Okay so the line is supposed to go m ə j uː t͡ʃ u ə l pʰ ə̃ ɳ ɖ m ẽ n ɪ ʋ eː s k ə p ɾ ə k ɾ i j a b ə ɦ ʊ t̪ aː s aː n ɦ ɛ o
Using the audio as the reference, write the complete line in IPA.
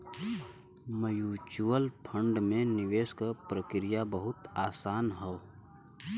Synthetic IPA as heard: m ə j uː t͡ʃ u ə l pʰ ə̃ ɳ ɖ m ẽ n ɪ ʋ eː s k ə p ɾ ə k ɾ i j a b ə ɦ ʊ t̪ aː s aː n ɦ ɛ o